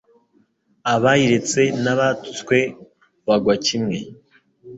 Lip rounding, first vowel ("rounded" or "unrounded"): unrounded